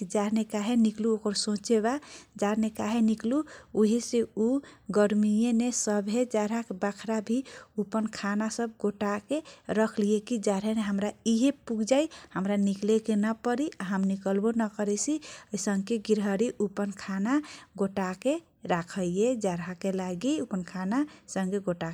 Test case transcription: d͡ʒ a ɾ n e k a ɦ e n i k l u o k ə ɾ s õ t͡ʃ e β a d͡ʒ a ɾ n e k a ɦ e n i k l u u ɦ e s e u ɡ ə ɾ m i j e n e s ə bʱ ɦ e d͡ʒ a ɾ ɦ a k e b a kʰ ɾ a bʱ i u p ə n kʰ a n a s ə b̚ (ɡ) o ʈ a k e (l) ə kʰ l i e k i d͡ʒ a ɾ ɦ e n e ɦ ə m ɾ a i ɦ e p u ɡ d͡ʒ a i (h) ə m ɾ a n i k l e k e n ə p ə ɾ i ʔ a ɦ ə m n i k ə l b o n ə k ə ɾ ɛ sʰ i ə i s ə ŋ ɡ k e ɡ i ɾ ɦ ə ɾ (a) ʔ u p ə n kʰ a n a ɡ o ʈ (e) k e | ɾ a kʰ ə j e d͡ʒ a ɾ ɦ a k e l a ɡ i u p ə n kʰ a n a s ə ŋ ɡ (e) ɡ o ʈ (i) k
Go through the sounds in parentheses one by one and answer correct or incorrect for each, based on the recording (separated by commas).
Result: correct, incorrect, correct, incorrect, incorrect, correct, incorrect